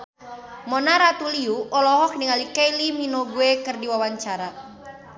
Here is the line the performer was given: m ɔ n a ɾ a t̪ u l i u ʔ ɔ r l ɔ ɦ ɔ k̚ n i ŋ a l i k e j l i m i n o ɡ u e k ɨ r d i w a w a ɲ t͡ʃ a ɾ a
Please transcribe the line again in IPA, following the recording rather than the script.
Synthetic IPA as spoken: m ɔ n a ɾ a t̪ u l i u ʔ ɔ l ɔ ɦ ɔ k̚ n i ŋ a l i k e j l i m i n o ɡ u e k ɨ r d i w a w a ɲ t͡ʃ a ɾ a